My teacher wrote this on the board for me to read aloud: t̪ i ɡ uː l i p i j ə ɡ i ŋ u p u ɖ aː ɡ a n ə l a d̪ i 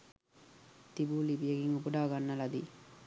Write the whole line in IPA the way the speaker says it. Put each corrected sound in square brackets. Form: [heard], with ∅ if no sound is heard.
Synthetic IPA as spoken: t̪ i [b] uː l i [b] i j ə ɡ i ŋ u p u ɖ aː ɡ a [nː] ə l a d̪ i